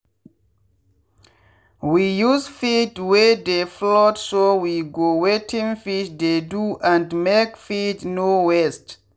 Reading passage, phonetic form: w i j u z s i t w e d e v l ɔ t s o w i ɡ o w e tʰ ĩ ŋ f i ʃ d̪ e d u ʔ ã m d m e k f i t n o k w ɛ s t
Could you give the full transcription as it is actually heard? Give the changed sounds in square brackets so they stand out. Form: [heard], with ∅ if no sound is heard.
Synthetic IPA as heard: w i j u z [f] i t w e d e [f] l ɔ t s o w i ɡ o w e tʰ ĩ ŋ f i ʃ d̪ e d u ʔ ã [n] d m e k f i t n o [∅] w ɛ s t